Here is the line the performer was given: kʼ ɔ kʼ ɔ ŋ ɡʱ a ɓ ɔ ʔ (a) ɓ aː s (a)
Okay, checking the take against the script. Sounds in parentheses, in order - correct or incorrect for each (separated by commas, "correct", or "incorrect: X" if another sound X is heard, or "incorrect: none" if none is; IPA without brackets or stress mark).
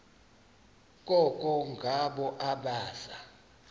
correct, correct